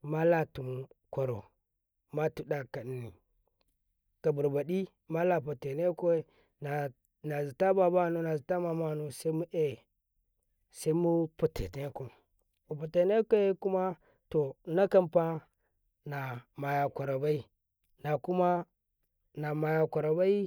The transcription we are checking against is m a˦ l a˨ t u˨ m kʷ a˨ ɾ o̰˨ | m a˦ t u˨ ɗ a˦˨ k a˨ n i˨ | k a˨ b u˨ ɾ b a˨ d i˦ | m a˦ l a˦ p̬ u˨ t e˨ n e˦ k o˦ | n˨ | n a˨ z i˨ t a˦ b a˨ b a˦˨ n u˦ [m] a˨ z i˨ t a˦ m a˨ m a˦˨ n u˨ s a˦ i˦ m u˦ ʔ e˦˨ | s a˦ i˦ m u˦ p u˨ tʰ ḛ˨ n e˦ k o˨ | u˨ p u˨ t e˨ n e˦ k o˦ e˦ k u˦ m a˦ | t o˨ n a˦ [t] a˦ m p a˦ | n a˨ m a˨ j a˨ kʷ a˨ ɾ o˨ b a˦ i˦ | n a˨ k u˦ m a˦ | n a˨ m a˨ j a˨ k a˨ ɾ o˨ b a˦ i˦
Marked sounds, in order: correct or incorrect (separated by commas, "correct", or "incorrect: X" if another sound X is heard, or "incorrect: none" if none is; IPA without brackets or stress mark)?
incorrect: n, incorrect: k